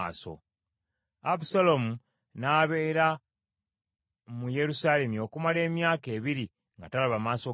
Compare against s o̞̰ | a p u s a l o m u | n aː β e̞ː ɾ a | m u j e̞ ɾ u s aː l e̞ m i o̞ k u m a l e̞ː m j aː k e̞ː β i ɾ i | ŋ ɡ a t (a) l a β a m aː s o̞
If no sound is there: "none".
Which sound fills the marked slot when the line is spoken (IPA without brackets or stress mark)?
a